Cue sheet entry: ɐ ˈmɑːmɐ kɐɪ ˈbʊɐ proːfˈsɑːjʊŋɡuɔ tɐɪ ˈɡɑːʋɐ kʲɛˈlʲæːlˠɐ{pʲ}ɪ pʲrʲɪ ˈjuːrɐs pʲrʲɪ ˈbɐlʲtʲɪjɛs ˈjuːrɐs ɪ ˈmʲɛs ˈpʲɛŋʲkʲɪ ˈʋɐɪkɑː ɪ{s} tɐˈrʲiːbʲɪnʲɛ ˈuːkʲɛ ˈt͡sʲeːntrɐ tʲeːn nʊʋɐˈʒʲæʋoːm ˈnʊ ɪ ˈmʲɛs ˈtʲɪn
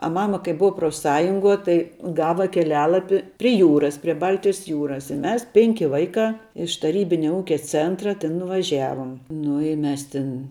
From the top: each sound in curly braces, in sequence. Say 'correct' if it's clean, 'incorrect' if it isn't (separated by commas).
correct, incorrect